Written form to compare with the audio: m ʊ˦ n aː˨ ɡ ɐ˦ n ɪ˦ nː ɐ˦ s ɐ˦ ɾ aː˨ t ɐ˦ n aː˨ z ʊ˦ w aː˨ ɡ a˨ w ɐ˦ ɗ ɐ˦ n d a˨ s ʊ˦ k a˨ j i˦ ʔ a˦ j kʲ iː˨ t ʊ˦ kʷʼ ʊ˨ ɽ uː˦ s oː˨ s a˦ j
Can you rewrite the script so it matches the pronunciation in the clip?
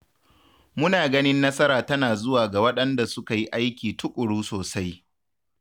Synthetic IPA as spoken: m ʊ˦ n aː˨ ɡ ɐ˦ n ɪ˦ nː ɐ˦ s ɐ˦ ɾ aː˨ t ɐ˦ n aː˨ z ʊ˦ w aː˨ ɡ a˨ w ɐ˦ ɗ ɐ˦ n d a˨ s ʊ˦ k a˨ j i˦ ʔ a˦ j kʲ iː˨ t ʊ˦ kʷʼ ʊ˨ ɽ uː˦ s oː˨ s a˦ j